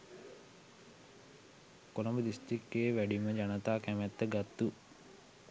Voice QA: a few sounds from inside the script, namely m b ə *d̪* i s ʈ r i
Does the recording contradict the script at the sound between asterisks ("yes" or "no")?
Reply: no